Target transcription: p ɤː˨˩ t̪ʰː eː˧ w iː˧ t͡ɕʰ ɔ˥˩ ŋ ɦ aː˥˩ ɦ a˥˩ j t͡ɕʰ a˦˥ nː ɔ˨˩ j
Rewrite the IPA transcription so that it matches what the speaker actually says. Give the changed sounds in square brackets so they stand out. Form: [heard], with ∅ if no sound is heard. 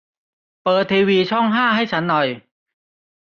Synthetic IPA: p ɤː˨˩ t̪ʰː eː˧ w iː˧ t͡ɕʰ ɔ˥˩ ŋ ɦ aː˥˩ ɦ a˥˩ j t͡ɕʰ a˦˥ nː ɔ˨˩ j